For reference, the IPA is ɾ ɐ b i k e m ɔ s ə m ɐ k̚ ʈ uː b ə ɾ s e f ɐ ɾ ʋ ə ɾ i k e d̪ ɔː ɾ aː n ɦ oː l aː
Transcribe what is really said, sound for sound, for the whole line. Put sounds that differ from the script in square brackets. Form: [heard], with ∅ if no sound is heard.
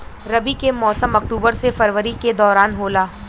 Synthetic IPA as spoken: ɾ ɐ b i k e m [ɔː] s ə m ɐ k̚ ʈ uː b ə ɾ s e f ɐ ɾ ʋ ə ɾ i k e d̪ ɔː ɾ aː n ɦ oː l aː